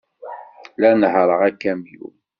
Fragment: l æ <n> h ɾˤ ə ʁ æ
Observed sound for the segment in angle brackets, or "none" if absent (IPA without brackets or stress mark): n